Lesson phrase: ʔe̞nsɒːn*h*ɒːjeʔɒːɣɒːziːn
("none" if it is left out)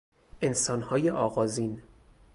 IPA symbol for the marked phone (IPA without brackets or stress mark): h